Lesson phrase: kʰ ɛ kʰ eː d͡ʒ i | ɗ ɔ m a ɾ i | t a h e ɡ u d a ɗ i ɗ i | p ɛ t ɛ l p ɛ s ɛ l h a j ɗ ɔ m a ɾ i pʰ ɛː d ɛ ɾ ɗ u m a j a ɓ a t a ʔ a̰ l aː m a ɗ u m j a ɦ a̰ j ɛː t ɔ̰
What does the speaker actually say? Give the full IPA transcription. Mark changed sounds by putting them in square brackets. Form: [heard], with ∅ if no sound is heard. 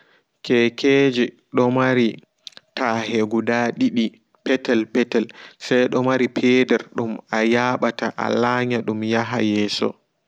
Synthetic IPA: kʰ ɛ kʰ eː d͡ʒ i | ɗ ɔ m a ɾ i | t a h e ɡ u d a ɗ i ɗ i | p ɛ t ɛ l p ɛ [t] ɛ l [s] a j ɗ ɔ m a ɾ i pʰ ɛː d ɛ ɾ ɗ u m a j a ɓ a t a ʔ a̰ l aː [ɲ] a ɗ u m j a ɦ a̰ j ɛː [s] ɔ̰